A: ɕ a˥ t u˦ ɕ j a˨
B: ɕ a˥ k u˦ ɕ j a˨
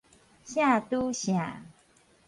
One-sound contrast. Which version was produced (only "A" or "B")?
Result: A